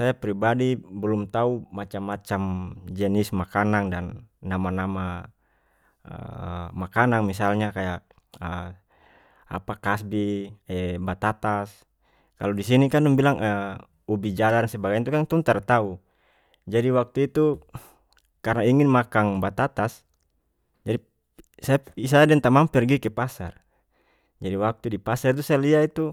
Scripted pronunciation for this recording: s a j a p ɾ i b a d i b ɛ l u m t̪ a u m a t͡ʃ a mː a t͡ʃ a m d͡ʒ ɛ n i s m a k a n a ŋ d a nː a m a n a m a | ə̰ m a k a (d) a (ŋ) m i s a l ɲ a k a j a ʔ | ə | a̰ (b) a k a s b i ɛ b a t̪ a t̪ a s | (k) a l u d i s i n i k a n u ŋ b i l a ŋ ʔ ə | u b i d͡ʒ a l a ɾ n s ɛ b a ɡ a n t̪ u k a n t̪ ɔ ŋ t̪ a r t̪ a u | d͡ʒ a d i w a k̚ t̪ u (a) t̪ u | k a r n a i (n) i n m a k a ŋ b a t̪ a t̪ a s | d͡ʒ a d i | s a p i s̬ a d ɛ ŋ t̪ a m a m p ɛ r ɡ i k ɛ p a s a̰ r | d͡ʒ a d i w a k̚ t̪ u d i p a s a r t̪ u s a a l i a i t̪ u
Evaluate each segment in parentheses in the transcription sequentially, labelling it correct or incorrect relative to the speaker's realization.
incorrect: n, correct, incorrect: p, correct, incorrect: i, incorrect: ŋ

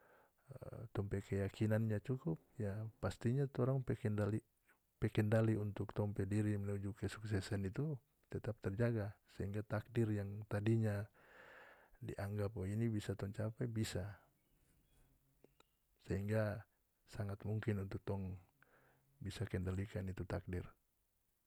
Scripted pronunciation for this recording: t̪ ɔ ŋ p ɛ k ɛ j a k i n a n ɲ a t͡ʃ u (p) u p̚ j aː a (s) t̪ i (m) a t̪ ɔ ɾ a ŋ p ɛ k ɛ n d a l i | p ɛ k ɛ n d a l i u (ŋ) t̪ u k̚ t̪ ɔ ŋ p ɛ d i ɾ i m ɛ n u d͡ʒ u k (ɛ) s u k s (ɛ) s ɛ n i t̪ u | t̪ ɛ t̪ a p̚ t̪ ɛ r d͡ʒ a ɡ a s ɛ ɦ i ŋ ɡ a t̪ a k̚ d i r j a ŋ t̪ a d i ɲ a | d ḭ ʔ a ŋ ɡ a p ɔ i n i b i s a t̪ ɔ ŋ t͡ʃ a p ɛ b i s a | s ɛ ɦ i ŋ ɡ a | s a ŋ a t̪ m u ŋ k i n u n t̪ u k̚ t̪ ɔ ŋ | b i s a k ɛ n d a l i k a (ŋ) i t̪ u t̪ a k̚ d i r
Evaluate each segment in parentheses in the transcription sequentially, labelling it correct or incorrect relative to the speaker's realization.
incorrect: k, correct, incorrect: ɲ, incorrect: n, correct, correct, incorrect: n

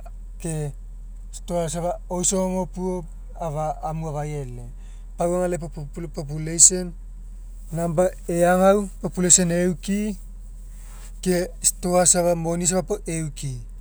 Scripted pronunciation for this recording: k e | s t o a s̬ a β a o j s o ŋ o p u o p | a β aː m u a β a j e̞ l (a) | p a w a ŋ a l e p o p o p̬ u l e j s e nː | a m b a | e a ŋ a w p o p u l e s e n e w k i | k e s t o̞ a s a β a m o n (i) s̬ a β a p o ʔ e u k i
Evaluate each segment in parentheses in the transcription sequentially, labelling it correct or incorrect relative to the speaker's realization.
incorrect: e, correct

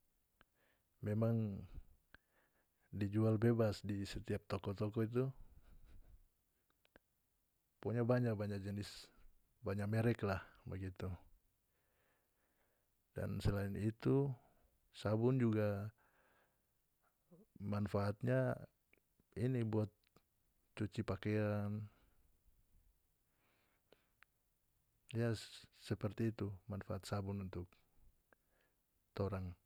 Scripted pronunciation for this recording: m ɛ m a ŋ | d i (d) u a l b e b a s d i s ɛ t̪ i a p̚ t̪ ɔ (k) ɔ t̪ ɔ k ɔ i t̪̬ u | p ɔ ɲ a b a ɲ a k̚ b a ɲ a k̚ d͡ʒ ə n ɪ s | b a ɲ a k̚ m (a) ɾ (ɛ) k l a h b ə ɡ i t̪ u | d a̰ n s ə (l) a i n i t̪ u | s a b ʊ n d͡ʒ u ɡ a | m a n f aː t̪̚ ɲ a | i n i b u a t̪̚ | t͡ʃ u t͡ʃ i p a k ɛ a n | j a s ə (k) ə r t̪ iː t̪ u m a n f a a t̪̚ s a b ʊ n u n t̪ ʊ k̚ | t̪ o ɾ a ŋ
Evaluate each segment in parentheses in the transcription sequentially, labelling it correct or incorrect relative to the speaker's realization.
incorrect: d͡ʒ, correct, incorrect: ɛ, correct, correct, incorrect: p

